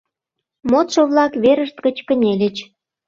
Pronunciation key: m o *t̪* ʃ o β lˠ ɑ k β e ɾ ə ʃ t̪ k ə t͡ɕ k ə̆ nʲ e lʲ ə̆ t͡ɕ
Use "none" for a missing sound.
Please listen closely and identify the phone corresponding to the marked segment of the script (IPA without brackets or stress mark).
t̪